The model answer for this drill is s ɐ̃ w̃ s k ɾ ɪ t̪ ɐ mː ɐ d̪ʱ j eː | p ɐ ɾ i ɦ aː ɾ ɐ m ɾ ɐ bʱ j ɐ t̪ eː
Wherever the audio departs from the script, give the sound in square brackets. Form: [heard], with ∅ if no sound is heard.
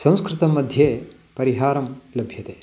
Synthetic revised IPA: s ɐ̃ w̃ s k ɾ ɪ t̪ ɐ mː ɐ d̪ʱ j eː | p ɐ ɾ i ɦ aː ɾ ɐ m [l] ɐ bʱ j ɐ t̪ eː